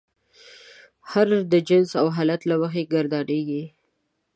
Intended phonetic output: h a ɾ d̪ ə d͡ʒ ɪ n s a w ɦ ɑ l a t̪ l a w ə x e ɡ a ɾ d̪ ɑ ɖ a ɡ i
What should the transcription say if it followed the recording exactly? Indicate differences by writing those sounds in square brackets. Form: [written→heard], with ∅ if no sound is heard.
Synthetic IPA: h a ɾ d̪ ə d͡ʒ ɪ n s a w ɦ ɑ l a t̪ l a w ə x e ɡ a ɾ d̪ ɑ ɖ [a→e] ɡ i